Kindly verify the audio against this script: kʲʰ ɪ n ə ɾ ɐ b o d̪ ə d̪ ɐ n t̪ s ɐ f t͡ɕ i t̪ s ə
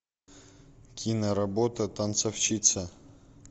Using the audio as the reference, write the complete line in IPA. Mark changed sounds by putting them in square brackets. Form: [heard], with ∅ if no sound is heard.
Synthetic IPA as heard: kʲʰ [i] n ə ɾ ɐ b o [t̪] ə [t̪] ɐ n t̪ s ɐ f t͡ɕ i t̪ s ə